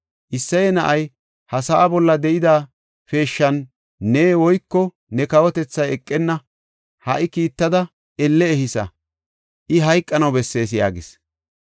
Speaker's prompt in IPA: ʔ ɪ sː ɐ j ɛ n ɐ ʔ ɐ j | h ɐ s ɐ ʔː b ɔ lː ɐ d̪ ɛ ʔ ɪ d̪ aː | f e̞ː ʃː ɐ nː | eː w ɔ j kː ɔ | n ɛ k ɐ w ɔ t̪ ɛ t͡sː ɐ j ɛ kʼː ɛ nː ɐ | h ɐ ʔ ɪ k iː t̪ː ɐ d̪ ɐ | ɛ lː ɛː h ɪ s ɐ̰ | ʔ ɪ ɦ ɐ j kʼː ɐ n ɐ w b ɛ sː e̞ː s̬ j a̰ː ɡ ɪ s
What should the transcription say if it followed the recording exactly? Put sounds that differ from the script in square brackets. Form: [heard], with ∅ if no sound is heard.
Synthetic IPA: ʔ ɪ sː ɐ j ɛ n ɐ ʔ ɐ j | h ɐ s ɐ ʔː b ɔ lː ɐ d̪ ɛ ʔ ɪ d̪ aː | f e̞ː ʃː ɐ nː | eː w ɔ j kː ɔ | n ɛ k ɐ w ɔ t̪ ɛ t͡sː ɐ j ɛ kʼː ɛ nː ɐ | h ɐ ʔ ɪ k iː t̪ː ɐ d̪ ɐ | ɛ lː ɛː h ɪ s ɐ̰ | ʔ ɪ ɦ ɐ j kʼː ɐ n ɐ w b ɛ sː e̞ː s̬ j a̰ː ɡ ɪ s

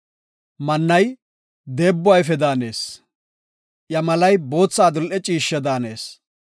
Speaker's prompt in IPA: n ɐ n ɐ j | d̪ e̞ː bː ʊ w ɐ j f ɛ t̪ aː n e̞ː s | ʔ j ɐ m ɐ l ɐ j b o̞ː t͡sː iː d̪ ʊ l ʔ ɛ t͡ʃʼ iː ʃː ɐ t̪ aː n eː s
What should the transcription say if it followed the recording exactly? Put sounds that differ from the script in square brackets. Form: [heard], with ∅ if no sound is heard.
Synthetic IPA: [m] ɐ [nː] ɐ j | d̪ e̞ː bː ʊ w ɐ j f ɛ [d̪] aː n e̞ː s | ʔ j ɐ m ɐ l ɐ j b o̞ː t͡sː [aː] d̪ ʊ l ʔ ɛ t͡ʃʼ iː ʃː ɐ [d̪] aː n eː s

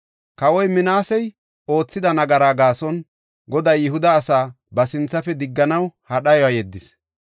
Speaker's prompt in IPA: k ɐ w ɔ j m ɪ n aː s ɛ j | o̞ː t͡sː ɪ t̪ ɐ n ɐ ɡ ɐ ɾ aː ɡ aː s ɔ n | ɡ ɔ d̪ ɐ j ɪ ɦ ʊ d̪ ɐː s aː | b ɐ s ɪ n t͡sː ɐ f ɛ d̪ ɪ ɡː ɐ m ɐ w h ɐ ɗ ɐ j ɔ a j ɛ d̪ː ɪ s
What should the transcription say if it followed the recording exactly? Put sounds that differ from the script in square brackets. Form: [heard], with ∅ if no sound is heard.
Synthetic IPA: k ɐ w ɔ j m ɪ n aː s ɛ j | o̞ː t͡sː ɪ [d̪] ɐ n ɐ ɡ ɐ ɾ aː ɡ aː s ɔ n | ɡ ɔ d̪ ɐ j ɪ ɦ ʊ d̪ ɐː s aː | b ɐ s ɪ n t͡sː ɐ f ɛ d̪ ɪ ɡː ɐ [n] ɐ w h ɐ ɗ ɐ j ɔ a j ɛ d̪ː ɪ s

